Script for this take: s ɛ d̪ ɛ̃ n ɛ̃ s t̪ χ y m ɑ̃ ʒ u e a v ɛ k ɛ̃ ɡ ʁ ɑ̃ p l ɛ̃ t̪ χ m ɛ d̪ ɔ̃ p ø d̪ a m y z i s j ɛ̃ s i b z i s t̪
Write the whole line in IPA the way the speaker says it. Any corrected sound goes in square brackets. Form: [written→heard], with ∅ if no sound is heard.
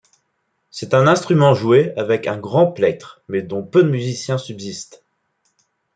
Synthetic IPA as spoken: s ɛ [d̪→t̪] ɛ̃ n ɛ̃ s t̪ χ y m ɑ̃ ʒ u e a v ɛ k ɛ̃ ɡ ʁ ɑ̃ p l [ɛ̃→ɛ] t̪ χ m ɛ d̪ ɔ̃ p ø d̪ [a→ə] m y z i s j ɛ̃ s [i→y] b z i s t̪